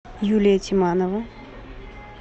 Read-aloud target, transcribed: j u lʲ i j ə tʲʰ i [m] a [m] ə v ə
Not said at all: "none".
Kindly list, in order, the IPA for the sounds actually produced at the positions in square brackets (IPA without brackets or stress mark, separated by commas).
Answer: m, n